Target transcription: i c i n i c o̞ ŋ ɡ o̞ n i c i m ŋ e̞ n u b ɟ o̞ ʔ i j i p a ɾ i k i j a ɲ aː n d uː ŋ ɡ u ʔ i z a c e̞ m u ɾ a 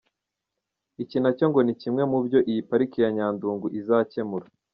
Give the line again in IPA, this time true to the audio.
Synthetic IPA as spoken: i c i n a c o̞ ŋ ɡ o̞ n i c i m ŋ e̞ m u b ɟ o̞ ʔ i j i p a ɾ i k i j a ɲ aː n d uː ŋ ɡ u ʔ i z a c e̞ m u ɾ a